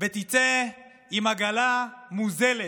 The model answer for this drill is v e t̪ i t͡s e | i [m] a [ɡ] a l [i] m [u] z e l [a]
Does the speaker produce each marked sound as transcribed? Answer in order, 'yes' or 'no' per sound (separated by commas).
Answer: yes, yes, no, yes, no